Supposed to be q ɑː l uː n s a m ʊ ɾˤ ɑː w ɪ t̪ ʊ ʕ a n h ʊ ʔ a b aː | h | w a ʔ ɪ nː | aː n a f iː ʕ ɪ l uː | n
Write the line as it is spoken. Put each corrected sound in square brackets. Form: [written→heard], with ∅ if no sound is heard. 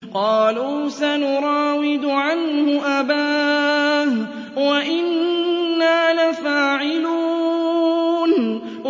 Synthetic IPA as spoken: q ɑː l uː [n→∅] s a [m→n] ʊ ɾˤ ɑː w ɪ [t̪→d̪] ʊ ʕ a n h ʊ ʔ a b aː | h | w a ʔ ɪ nː | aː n a f [iː→aː] ʕ ɪ l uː | n